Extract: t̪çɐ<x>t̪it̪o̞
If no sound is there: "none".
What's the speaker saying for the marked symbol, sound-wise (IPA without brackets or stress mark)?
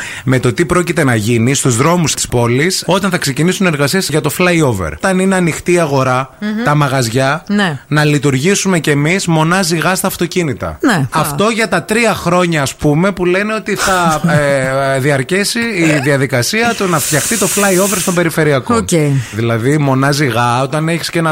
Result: x